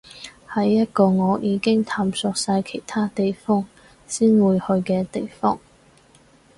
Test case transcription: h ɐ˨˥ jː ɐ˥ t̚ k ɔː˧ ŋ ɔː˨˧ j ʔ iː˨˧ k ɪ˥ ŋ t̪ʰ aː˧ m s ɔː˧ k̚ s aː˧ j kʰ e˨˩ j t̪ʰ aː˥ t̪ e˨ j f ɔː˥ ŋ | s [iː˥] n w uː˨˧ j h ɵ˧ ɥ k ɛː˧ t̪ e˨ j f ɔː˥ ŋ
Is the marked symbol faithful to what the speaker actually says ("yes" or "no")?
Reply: yes